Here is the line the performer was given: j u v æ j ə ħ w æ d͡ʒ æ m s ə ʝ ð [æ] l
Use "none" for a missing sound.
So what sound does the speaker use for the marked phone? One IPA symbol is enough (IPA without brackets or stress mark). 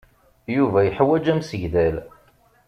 æ